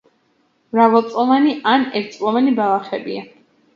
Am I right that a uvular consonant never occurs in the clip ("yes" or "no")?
no